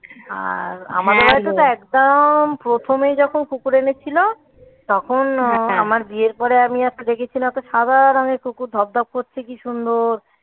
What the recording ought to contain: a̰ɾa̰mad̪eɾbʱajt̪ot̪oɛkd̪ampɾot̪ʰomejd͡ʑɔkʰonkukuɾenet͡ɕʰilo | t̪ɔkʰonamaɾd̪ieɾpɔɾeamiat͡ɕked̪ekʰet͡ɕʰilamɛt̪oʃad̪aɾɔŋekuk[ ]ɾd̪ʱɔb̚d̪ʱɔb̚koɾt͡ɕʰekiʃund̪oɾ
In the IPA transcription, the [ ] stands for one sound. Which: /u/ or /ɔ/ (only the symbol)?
u